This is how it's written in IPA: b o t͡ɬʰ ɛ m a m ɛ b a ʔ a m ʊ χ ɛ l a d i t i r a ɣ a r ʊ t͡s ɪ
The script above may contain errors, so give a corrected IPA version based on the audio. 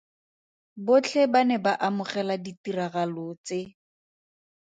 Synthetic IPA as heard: b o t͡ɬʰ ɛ b a n ɛ b a ʔ a m ʊ χ ɛ l a d i t i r a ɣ a l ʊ t͡s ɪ